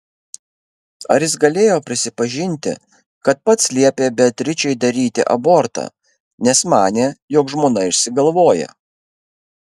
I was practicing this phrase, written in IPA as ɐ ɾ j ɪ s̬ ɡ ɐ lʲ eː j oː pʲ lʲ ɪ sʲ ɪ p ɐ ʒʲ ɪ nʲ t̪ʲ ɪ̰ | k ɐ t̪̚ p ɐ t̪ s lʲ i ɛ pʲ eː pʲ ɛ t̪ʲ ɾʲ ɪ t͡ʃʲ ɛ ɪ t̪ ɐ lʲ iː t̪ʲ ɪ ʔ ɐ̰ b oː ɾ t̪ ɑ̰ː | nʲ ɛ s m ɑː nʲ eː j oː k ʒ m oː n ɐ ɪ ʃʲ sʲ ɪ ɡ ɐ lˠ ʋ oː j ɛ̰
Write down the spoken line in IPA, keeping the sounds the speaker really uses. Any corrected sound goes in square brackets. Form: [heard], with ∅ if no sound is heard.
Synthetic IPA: ɐ ɾ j ɪ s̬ ɡ ɐ lʲ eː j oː pʲ [ɾʲ] ɪ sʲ ɪ p ɐ ʒʲ ɪ nʲ t̪ʲ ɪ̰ | k ɐ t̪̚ p ɐ t̪ s lʲ i ɛ pʲ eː [bʲ] ɛ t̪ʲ ɾʲ ɪ t͡ʃʲ ɛ ɪ [d̪] ɐ [ɾʲ] iː t̪ʲ ɪ ʔ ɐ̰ b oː ɾ t̪ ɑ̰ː | nʲ ɛ s m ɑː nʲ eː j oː k ʒ m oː n ɐ ɪ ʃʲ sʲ ɪ ɡ ɐ lˠ ʋ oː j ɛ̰

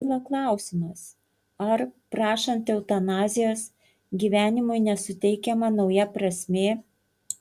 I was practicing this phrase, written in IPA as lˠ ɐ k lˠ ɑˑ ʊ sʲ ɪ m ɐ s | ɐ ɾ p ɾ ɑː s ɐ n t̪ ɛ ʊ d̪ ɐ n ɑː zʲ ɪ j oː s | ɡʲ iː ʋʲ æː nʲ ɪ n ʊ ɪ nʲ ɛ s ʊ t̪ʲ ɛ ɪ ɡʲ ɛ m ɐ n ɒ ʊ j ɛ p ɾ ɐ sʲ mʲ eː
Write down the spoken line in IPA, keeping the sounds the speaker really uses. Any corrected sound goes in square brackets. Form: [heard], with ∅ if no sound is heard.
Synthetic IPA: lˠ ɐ k lˠ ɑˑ ʊ sʲ ɪ m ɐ s | ɐ ɾ p ɾ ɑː [ʃ] ɐ n t̪ ɛ ʊ [t̪] ɐ n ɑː zʲ ɪ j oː s | ɡʲ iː ʋʲ æː nʲ ɪ [m] ʊ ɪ nʲ ɛ s ʊ t̪ʲ ɛ ɪ [kʲ] ɛ m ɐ n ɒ ʊ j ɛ p ɾ ɐ sʲ mʲ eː

